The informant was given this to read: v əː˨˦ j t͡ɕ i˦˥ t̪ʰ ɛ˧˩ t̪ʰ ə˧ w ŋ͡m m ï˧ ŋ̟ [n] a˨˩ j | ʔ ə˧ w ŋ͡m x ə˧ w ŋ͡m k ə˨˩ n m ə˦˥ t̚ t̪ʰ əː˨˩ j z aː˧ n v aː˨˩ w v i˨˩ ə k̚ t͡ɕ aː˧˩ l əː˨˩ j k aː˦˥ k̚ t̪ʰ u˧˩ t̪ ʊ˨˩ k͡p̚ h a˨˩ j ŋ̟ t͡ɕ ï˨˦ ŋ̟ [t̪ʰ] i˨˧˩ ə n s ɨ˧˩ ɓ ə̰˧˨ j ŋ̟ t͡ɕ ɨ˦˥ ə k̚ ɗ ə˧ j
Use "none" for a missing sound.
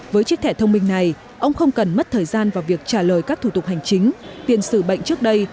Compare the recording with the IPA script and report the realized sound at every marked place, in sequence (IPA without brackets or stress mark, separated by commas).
n, t̪